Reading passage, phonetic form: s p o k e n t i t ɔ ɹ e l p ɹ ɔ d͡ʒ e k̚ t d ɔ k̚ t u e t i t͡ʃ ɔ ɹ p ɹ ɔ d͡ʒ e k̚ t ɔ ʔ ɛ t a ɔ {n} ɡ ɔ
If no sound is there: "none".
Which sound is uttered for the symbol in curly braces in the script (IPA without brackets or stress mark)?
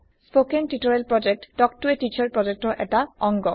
ŋ